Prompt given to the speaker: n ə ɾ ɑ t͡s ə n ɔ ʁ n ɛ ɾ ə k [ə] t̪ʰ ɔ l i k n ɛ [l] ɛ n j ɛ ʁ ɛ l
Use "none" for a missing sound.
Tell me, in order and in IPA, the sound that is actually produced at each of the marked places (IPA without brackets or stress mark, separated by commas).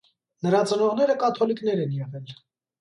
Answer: ɑ, ɾ